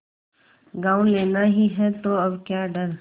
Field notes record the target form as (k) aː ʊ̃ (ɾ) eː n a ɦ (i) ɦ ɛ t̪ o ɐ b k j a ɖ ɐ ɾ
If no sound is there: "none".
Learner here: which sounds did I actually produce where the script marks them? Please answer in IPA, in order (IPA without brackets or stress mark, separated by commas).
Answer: ɡ, l, i